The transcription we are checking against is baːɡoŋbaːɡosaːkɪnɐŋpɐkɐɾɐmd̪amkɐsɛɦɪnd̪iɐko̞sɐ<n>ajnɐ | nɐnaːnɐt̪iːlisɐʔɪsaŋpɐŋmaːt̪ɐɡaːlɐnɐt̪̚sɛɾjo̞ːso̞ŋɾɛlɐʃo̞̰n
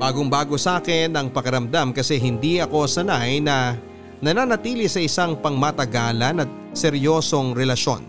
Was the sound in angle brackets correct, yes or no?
yes